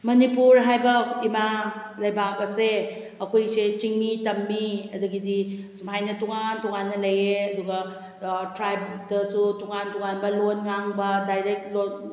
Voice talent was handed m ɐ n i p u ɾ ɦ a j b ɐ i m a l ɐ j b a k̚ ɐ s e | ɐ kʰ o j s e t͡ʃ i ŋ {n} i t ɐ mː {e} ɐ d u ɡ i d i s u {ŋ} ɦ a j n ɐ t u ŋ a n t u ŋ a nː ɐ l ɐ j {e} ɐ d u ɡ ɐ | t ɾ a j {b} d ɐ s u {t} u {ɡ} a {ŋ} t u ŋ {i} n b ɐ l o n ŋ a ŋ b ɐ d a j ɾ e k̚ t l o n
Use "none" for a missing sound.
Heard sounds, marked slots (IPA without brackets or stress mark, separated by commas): m, i, m, e, b, t, ŋ, n, a